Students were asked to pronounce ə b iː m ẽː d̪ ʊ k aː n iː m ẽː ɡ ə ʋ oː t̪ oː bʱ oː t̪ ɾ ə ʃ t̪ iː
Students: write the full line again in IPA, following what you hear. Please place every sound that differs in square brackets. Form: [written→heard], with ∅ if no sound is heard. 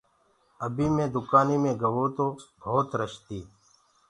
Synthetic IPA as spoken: ə b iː m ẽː d̪ ʊ k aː n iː m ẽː ɡ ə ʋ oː t̪ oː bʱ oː t̪ ɾ ə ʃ t̪ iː